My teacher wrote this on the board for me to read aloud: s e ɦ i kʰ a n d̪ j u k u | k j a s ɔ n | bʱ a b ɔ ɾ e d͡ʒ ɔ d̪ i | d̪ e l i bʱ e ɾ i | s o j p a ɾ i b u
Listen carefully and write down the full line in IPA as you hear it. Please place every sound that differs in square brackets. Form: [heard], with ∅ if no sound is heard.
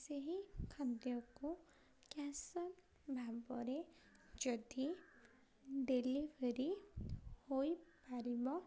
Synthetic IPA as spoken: s e ɦ i kʰ a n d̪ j [ɔ] k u | k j a s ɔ n | bʱ a b ɔ ɾ e d͡ʒ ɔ d̪ i | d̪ e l i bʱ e ɾ i | [h] o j p a ɾ i b [ɔ]